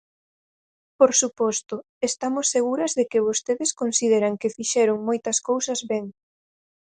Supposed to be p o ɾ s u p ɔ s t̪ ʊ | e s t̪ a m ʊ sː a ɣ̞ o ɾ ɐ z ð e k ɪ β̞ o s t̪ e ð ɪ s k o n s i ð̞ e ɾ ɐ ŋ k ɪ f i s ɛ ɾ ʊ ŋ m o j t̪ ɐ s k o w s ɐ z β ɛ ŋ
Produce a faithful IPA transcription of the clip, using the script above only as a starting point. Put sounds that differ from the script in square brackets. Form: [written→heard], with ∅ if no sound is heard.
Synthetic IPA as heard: p o ɾ s u p ɔ s t̪ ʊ | e s t̪ a m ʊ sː [a→e] ɣ̞ [o→u] ɾ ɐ z ð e k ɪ β̞ o s t̪ e ð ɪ s k o n s i ð̞ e ɾ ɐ ŋ k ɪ f i [s→ʃ] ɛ ɾ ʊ ŋ m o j t̪ ɐ s k o w s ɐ z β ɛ ŋ